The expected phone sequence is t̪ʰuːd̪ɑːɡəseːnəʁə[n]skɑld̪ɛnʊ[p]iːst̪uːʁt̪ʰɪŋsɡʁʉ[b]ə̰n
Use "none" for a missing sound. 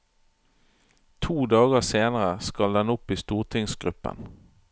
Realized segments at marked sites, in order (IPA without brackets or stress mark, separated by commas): none, p, p